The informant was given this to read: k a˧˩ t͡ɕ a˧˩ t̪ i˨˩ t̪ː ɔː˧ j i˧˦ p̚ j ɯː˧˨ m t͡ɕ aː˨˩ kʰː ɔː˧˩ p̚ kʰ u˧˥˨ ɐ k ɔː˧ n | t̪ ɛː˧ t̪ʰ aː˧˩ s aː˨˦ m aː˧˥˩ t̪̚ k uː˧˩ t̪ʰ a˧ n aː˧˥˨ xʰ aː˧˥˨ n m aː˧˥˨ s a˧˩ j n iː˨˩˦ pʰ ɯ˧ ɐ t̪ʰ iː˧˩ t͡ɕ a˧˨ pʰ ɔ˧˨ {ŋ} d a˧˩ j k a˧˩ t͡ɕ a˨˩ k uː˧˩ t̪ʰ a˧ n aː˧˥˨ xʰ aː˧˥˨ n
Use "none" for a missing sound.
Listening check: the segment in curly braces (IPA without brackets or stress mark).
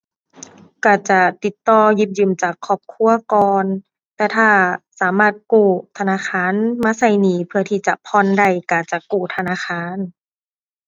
n